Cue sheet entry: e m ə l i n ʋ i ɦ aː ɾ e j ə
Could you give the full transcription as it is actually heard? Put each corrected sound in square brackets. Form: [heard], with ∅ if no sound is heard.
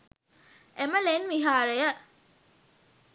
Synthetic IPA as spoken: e m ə l [e] n ʋ i ɦ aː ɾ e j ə